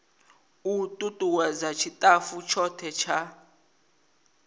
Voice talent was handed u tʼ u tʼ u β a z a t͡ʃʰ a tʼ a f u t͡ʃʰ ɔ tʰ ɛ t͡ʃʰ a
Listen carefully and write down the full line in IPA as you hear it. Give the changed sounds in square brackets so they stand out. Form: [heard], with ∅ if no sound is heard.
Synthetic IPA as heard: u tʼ u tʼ u [w] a z a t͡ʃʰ [i] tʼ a f u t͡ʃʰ ɔ tʰ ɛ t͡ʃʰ a